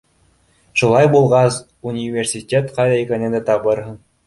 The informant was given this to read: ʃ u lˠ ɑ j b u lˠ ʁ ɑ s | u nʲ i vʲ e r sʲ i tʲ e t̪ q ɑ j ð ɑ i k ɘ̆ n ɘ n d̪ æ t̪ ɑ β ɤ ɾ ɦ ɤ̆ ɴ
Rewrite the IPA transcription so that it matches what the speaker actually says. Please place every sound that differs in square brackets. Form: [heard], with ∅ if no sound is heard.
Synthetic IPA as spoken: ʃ u lˠ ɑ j b u lˠ ʁ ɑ s | u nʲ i vʲ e r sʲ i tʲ e t̪ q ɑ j ð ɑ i k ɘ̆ n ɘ n d̪ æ t̪ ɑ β ɤ ɾ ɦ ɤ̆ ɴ